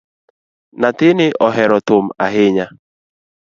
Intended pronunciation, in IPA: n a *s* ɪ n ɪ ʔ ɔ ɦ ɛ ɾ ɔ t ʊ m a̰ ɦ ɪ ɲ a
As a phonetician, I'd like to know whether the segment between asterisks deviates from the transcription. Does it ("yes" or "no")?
yes